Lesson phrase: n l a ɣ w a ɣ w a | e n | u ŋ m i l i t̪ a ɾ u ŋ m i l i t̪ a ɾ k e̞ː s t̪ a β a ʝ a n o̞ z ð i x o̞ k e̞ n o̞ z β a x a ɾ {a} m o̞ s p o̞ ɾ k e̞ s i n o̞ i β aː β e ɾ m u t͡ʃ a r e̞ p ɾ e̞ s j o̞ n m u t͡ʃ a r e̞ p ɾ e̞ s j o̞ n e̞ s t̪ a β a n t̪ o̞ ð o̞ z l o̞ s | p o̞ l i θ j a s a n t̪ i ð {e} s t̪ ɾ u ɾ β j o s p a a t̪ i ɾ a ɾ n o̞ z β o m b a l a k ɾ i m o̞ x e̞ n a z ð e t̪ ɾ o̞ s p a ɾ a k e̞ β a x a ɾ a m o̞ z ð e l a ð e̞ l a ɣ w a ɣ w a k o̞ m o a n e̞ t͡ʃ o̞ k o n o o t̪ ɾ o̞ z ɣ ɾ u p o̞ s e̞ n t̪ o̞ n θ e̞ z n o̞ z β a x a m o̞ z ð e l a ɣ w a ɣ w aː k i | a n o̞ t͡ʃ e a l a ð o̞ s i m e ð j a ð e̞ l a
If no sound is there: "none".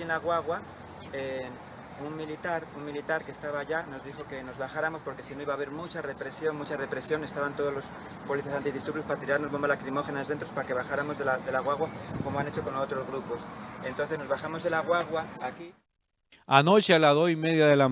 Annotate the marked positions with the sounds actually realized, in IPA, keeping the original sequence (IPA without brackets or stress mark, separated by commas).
a, i